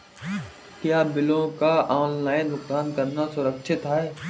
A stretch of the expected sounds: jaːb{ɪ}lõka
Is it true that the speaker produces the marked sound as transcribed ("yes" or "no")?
yes